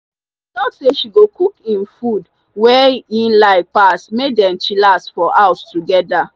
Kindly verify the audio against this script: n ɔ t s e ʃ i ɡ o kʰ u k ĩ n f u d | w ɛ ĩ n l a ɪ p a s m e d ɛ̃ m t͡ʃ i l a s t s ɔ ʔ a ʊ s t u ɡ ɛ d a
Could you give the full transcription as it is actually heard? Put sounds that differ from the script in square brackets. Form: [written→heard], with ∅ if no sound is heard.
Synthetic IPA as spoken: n ɔ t s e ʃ i ɡ o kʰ u k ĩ n f u d | w ɛ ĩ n l a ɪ p a s m e d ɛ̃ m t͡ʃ i l a s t [s→f] ɔ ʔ a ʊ s t u ɡ ɛ d a